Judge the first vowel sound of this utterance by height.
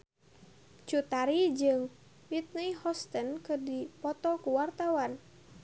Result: high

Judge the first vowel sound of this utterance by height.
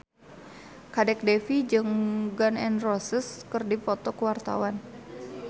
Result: low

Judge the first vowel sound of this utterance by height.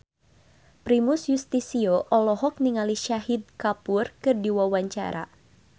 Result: high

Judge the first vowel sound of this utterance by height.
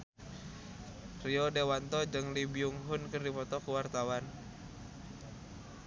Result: high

